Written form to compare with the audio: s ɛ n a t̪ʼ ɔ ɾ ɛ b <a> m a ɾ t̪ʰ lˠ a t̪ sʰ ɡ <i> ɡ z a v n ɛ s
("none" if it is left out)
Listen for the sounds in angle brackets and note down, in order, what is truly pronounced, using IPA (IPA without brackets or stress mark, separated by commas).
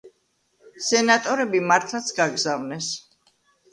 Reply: i, a